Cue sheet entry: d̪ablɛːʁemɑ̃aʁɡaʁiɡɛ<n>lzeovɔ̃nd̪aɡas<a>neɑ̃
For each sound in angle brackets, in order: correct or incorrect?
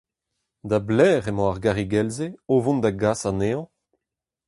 incorrect: none, correct

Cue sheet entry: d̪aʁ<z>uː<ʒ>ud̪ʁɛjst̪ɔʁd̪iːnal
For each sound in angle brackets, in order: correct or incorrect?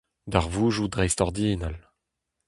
incorrect: v, correct

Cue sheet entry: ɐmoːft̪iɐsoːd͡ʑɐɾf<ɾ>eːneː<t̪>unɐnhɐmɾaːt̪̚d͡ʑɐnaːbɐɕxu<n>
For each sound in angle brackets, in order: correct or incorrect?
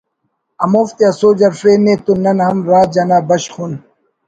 correct, correct, correct

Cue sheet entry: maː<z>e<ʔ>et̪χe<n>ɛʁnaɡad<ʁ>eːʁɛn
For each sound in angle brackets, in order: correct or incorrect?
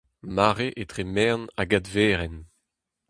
incorrect: ʁ, correct, incorrect: m, incorrect: v

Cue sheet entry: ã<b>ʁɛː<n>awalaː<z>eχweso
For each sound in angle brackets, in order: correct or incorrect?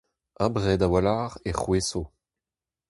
correct, incorrect: d, incorrect: ʁ

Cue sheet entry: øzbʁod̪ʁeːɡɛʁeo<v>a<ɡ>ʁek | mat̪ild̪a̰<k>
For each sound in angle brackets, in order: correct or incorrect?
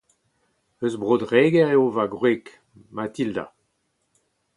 correct, correct, incorrect: none

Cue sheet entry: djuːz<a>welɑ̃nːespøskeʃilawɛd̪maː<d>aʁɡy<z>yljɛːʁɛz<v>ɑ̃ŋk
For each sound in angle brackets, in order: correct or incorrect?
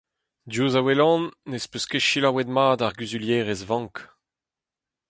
correct, correct, correct, correct

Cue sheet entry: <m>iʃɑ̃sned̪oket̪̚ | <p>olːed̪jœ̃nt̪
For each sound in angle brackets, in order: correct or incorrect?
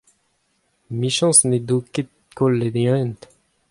correct, incorrect: k

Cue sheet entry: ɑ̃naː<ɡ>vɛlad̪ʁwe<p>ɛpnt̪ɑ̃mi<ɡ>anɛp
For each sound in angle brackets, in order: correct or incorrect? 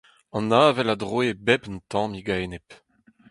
incorrect: none, incorrect: b, correct

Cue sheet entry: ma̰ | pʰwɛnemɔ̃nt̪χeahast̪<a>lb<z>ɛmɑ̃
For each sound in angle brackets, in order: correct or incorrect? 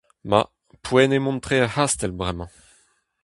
incorrect: ɛ, incorrect: ʁ

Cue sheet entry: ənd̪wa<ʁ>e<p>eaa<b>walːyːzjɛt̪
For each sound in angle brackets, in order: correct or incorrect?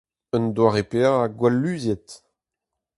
correct, correct, incorrect: ɡ

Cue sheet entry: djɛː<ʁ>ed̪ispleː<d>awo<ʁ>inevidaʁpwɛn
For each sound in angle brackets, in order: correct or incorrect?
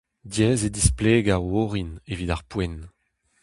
incorrect: z, incorrect: ɡ, correct

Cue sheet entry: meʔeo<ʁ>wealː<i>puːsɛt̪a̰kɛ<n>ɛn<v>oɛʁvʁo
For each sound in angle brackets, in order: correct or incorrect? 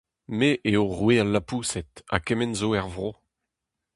correct, incorrect: a, incorrect: m, incorrect: z

